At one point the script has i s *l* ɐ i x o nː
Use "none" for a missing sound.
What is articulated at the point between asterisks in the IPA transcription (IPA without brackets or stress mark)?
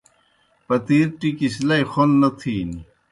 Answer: l